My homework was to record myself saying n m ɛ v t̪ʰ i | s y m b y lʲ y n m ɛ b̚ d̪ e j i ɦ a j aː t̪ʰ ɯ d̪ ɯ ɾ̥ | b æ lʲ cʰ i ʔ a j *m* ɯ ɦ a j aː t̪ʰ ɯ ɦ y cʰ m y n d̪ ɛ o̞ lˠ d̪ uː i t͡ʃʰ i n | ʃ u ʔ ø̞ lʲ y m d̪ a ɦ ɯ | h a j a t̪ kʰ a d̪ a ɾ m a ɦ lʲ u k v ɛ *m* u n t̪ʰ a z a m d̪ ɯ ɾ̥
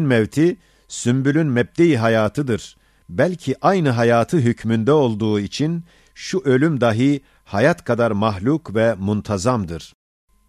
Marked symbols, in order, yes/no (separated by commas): no, yes